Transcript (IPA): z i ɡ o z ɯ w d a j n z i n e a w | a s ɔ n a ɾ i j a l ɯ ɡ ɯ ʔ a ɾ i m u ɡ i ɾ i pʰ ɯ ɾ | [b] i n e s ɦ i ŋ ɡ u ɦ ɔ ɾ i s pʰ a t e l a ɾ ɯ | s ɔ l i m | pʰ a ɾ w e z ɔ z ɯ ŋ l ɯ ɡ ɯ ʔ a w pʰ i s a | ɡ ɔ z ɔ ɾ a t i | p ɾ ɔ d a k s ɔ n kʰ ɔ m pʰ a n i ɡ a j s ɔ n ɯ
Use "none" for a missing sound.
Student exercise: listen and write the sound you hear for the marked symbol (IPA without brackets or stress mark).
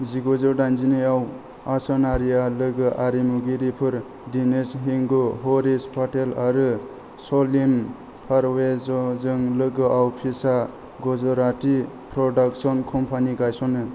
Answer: d